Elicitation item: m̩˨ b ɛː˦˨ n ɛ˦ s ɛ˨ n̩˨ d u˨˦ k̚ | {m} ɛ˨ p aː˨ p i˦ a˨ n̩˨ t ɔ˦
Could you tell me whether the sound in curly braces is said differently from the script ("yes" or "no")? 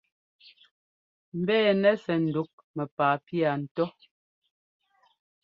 no